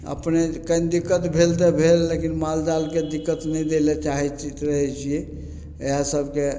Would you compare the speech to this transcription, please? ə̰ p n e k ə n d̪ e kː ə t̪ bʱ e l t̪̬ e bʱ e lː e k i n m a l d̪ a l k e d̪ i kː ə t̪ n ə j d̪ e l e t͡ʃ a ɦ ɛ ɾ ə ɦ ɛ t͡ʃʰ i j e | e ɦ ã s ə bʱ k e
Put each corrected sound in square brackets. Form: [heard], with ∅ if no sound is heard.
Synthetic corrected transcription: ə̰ p n e k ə n d̪ [i] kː ə t̪ bʱ e l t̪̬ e bʱ e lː e k i n m a l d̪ a l k e d̪ i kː ə t̪ n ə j d̪ e l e t͡ʃ a ɦ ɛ ɾ ə ɦ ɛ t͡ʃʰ i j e | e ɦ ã s ə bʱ k e